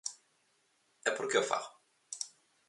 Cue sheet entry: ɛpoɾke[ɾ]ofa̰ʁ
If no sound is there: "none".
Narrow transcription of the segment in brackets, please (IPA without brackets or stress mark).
none